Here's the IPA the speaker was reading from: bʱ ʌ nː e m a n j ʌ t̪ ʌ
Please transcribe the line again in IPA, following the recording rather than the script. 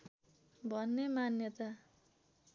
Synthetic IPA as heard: bʱ ʌ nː e m a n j ʌ t̪ a